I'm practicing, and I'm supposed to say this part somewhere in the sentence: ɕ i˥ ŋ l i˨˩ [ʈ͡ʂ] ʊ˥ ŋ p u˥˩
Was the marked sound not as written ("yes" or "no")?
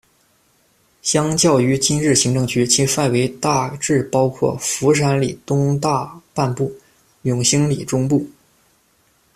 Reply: no